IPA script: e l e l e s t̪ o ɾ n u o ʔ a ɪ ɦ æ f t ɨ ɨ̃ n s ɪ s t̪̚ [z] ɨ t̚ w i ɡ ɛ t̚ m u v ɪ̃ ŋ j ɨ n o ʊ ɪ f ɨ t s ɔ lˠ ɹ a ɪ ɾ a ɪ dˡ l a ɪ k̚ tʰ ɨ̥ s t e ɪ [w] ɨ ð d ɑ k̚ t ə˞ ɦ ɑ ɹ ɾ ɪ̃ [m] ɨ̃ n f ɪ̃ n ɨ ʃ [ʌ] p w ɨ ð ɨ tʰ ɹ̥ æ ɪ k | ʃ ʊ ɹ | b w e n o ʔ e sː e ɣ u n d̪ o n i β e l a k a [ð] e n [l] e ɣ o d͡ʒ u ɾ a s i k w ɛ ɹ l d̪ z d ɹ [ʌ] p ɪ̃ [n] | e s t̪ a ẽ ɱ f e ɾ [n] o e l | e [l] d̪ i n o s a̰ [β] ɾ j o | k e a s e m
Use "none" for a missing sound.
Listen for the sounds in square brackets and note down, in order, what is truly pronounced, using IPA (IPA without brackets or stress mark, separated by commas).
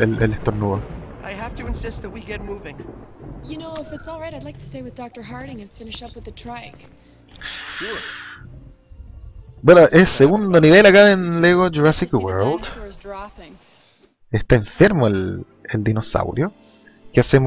ð, w, ŋ, ʌ, ð, l, ɑ, ŋ, m, l, w